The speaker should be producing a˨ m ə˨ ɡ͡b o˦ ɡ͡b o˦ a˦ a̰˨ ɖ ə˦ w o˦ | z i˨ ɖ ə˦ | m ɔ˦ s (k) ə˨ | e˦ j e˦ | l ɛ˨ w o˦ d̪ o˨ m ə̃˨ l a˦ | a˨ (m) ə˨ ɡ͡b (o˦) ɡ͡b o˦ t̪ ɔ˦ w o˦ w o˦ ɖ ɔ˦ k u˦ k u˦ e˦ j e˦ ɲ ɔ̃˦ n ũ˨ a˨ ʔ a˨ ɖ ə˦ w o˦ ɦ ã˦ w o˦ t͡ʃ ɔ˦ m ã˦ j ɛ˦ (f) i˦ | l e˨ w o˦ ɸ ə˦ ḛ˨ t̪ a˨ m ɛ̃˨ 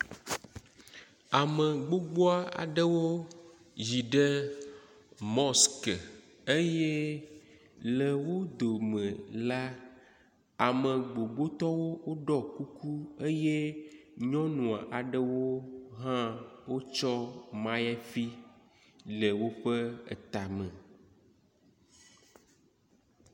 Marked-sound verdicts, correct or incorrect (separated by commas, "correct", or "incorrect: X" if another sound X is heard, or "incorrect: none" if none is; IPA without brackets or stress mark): correct, correct, incorrect: o˨, correct